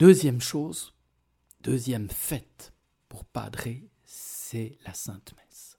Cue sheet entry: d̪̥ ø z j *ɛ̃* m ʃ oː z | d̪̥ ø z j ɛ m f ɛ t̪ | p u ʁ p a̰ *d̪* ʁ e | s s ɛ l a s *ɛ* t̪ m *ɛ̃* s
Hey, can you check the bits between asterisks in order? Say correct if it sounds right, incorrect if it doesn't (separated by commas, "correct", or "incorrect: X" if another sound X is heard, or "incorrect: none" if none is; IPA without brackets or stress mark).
incorrect: ɛ, correct, incorrect: ɛ̃, incorrect: ɛ